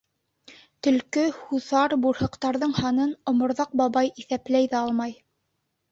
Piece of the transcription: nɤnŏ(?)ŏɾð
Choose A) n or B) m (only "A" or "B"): B